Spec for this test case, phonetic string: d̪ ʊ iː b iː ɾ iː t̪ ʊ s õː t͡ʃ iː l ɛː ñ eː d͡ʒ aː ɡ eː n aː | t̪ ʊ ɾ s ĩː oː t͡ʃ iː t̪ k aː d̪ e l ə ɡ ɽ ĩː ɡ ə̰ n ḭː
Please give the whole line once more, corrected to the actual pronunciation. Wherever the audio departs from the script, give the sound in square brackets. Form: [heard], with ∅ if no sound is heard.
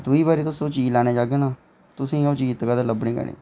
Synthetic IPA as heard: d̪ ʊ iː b [aː] ɾ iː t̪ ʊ s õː t͡ʃ iː l [aː] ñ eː d͡ʒ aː ɡ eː n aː | t̪ ʊ [∅] s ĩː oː t͡ʃ iː t̪ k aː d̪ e l ə [b] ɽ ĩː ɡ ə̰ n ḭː

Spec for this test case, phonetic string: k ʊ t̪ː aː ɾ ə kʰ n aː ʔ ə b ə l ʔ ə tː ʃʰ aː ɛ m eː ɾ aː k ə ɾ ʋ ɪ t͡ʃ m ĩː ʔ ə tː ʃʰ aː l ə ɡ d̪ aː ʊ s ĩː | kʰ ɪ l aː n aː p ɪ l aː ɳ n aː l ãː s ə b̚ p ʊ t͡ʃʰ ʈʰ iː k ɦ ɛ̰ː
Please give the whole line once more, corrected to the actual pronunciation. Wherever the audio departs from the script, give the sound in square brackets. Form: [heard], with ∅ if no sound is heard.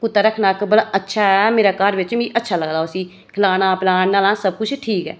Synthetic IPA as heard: k ʊ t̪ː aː ɾ ə kʰ n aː [k] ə b ə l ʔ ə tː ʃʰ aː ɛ m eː ɾ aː k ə ɾ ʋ ɪ t͡ʃ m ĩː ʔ ə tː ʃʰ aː l ə ɡ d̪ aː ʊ s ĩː | kʰ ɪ l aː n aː p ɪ l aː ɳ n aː l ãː s ə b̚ [k] ʊ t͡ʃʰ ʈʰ iː k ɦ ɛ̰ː

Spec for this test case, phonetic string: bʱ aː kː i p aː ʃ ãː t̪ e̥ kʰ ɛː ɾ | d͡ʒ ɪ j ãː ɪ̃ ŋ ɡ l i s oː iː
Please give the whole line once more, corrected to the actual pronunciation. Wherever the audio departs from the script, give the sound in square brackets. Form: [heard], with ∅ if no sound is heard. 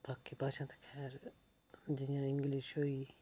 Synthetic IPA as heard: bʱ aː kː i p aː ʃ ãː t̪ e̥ kʰ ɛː ɾ | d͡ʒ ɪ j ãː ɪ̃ ŋ ɡ l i [ʃ] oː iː

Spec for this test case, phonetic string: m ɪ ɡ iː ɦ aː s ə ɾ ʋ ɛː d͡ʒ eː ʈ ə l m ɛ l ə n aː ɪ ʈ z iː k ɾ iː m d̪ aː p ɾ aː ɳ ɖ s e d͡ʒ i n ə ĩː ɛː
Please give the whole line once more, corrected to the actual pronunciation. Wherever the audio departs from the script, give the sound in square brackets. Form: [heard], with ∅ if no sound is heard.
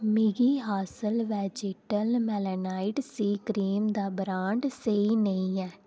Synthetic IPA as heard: m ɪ ɡ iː ɦ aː s ə [l] ʋ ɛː d͡ʒ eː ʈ ə l m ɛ l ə n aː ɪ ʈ [s] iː k ɾ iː m d̪ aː [b] ɾ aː ɳ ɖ s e [∅] i n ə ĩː ɛː

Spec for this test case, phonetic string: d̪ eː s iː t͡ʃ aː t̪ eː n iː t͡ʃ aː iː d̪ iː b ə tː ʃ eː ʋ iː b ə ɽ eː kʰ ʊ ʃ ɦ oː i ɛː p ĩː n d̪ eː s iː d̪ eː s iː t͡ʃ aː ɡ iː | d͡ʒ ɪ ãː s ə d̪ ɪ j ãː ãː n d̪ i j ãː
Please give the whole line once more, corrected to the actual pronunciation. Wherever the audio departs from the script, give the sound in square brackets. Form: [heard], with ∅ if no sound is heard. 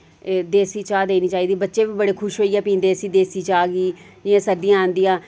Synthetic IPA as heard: d̪ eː s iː t͡ʃ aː [d̪] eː n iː t͡ʃ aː iː d̪ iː b ə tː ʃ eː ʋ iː b ə ɽ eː kʰ ʊ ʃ ɦ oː i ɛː p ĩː n d̪ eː s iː d̪ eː s iː t͡ʃ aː ɡ iː | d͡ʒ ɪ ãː s ə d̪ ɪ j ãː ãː n d̪ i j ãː

